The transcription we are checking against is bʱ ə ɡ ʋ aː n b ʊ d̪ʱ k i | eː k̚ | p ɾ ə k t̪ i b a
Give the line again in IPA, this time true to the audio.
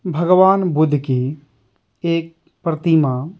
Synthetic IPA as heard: bʱ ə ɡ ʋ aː n b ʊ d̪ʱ k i | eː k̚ | p ɾ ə t̪ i m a